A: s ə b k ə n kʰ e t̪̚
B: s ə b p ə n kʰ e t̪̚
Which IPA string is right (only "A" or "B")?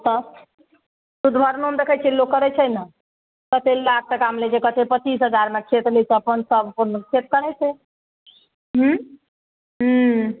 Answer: B